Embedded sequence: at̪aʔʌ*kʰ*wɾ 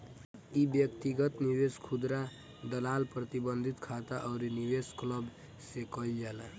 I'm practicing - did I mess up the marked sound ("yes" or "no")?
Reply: yes